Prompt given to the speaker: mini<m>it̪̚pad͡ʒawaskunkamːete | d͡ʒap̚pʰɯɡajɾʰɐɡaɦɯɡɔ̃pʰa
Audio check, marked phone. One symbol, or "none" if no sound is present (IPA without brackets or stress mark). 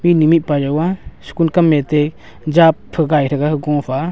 m